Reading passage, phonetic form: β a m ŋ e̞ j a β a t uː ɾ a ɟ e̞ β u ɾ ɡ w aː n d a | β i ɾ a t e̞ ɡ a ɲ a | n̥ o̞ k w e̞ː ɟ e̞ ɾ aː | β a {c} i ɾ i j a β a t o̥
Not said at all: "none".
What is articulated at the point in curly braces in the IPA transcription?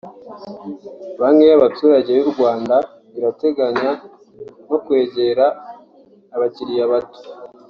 c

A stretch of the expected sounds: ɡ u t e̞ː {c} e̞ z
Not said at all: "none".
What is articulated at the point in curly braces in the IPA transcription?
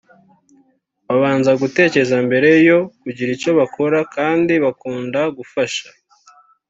c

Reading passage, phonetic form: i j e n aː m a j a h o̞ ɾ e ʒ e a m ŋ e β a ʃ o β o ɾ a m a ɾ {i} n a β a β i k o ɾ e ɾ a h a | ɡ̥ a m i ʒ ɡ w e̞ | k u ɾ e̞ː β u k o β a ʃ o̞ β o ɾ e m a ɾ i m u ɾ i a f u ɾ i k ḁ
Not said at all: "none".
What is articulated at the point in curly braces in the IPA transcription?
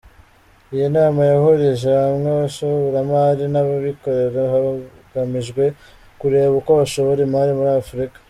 i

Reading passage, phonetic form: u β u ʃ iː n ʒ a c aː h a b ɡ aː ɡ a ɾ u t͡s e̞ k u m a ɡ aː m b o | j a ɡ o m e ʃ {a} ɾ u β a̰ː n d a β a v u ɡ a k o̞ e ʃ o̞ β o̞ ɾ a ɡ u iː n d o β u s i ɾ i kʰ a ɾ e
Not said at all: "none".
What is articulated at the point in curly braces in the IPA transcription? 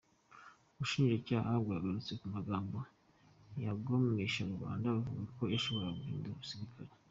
a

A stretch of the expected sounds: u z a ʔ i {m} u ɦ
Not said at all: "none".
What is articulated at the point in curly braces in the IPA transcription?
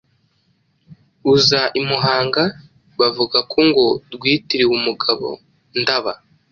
m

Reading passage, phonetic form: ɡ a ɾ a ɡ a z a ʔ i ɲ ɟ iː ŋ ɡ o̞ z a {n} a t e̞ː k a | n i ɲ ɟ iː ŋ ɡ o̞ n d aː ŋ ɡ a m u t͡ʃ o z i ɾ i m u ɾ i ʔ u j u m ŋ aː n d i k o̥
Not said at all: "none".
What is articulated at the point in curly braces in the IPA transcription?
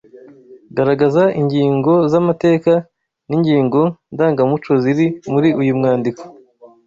m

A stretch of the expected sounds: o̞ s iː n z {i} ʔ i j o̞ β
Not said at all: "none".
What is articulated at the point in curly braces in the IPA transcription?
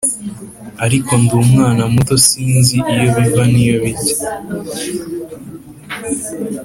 i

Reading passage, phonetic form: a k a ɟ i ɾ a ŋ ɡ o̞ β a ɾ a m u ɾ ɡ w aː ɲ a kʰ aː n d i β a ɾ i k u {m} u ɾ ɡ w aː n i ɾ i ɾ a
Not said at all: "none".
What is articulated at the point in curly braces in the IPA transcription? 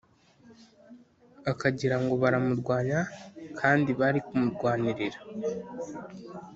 m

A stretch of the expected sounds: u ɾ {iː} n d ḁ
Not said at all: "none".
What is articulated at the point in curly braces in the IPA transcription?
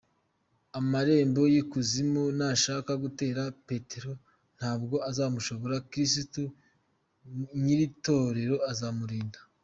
iː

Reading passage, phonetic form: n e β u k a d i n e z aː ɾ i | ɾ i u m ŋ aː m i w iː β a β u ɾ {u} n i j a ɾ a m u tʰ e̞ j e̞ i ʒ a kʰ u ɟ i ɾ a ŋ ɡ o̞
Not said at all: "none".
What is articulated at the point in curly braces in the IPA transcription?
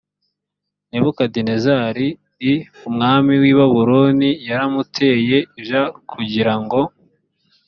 o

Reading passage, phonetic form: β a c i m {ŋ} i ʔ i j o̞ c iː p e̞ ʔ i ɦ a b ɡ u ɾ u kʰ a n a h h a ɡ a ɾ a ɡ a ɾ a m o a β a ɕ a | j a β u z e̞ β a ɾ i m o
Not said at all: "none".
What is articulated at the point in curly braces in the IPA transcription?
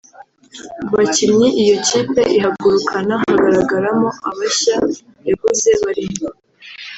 ɲ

